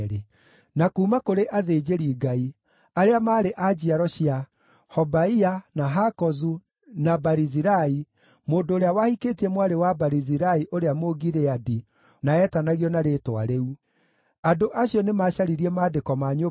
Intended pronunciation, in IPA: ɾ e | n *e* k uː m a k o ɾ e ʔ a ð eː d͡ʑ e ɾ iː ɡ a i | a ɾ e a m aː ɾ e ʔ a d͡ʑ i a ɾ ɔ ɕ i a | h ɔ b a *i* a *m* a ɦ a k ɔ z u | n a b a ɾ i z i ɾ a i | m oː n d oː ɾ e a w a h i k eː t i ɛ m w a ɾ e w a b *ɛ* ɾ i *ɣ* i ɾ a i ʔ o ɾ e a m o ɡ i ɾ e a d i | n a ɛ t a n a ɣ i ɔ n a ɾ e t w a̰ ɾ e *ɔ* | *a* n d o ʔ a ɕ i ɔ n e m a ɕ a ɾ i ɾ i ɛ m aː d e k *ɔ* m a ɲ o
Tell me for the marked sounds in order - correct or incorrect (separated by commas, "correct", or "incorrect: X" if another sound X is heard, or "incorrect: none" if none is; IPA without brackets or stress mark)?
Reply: incorrect: a, correct, incorrect: n, incorrect: a, incorrect: z, incorrect: u, correct, correct